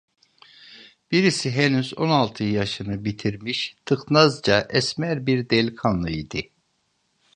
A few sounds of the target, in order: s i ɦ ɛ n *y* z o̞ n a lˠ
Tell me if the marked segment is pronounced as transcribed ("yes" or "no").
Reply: yes